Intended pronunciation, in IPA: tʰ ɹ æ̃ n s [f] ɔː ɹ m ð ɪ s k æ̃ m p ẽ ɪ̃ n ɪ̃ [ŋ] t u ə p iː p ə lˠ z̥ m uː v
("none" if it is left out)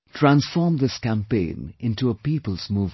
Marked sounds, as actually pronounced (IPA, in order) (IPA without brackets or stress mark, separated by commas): f, n